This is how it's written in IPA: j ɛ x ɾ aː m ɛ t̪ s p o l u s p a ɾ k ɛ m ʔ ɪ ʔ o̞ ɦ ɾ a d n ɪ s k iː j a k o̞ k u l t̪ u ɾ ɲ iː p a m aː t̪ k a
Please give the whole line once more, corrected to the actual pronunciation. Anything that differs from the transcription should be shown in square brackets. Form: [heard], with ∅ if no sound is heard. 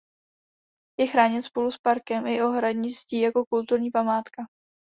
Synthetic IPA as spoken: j ɛ x ɾ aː [ɲ] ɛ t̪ s p o l u s p a ɾ k ɛ m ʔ ɪ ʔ o̞ ɦ ɾ a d [ɲ] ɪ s [c] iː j a k o̞ k u l t̪ u ɾ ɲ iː p a m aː t̪ k a